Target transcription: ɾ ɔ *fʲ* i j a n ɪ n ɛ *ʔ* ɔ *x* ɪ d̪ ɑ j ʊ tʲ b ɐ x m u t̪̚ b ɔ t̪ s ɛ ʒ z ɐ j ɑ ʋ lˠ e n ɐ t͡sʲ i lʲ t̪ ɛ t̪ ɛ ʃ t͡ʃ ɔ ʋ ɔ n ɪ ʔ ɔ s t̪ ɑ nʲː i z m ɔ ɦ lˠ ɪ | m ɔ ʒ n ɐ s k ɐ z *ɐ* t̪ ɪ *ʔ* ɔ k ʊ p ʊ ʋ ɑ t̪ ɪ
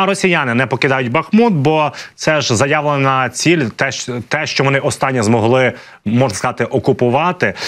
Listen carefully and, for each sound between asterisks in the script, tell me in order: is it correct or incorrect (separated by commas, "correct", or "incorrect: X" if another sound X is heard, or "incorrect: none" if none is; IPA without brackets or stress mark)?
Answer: incorrect: sʲ, incorrect: p, incorrect: k, incorrect: ɑ, correct